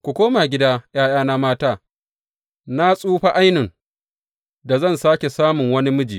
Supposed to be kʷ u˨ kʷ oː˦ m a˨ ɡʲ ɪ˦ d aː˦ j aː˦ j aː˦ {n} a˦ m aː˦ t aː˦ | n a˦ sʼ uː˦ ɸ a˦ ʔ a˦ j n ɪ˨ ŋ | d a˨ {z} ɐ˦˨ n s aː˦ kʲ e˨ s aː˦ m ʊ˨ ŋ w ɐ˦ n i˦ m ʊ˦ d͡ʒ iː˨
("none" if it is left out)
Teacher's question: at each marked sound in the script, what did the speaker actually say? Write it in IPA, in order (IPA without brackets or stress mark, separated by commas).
n, z